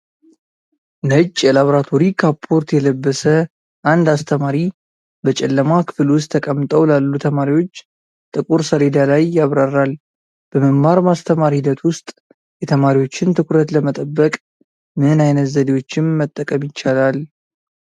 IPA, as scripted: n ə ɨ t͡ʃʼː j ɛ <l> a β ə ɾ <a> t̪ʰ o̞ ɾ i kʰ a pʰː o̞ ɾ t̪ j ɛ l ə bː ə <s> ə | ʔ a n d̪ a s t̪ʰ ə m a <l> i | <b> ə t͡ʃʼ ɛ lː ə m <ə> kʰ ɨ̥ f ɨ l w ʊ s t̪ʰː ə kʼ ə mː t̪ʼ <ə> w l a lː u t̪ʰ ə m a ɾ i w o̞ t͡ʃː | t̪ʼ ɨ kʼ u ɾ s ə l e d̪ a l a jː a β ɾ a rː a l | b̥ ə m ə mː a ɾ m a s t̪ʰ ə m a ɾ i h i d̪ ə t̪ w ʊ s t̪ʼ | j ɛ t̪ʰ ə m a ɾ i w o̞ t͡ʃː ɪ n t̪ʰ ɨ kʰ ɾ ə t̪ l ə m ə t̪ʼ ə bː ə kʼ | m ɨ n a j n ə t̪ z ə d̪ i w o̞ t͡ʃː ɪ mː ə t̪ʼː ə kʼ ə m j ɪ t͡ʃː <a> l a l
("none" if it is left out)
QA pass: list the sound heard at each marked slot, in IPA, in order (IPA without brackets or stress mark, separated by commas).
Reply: l, a, s, ɾ, b, a, ə, a